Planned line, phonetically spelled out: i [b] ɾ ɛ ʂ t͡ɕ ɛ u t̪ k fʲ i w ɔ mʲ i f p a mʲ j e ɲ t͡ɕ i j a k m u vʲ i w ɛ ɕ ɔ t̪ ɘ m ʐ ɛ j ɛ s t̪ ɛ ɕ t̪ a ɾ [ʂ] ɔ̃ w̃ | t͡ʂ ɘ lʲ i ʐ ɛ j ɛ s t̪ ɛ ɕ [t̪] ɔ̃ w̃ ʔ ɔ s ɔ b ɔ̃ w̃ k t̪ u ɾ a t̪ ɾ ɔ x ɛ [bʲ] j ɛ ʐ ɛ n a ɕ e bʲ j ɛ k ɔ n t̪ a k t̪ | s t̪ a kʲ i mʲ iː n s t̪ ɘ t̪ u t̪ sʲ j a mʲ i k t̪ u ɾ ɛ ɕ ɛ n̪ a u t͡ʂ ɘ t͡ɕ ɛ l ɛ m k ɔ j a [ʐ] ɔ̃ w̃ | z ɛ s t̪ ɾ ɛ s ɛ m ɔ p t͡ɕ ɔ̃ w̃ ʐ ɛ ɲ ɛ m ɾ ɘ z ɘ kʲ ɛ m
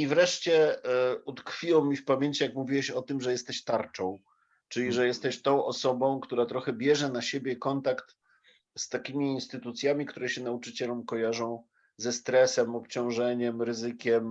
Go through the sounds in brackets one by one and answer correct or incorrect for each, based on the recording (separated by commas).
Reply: incorrect, incorrect, correct, correct, correct